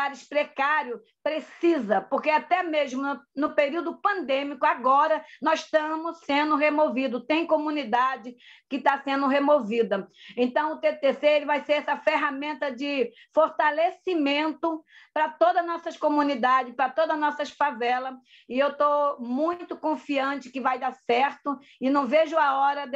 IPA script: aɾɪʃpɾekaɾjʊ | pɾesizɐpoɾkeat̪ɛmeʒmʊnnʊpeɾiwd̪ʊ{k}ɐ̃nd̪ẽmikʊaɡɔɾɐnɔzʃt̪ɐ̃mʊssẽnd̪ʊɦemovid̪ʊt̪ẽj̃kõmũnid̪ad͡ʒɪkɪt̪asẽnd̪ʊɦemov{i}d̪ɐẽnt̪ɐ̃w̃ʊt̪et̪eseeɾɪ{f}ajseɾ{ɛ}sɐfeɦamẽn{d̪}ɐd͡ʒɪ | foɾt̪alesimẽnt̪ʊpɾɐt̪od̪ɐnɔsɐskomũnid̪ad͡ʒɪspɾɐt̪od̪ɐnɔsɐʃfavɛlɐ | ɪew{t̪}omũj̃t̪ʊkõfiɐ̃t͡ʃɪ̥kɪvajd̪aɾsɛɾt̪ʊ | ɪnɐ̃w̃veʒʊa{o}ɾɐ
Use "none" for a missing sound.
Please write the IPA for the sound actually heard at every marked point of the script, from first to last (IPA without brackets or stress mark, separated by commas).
p, i, v, ɛ, t̪, t̪, ɔ